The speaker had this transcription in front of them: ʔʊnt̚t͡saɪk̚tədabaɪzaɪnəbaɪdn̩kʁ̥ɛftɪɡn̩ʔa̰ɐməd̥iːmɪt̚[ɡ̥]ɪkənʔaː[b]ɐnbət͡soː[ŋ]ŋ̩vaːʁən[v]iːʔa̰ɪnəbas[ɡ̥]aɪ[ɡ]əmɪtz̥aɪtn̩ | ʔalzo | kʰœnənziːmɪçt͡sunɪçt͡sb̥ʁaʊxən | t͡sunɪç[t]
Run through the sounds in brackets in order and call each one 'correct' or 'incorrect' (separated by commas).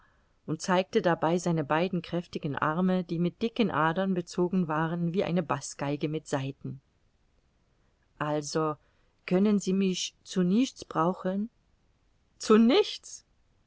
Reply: incorrect, incorrect, incorrect, correct, correct, correct, incorrect